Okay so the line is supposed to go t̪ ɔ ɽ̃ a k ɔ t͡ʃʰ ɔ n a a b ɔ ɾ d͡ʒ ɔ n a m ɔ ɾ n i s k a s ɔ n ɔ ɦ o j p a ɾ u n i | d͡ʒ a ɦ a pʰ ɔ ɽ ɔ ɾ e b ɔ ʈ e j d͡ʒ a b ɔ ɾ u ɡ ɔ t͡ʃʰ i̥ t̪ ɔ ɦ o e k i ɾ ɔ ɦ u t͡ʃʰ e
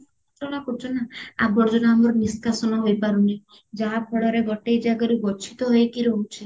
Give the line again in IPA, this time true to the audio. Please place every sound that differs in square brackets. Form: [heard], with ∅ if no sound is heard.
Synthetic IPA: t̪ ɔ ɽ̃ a k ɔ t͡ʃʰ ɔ n a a b ɔ ɾ d͡ʒ ɔ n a m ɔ ɾ n i s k a s ɔ n ɔ ɦ o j p a ɾ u n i | d͡ʒ a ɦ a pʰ ɔ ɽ ɔ ɾ e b ɔ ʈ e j d͡ʒ a [ɡ] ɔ ɾ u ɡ ɔ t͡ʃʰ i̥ t̪ ɔ ɦ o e k i ɾ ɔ ɦ u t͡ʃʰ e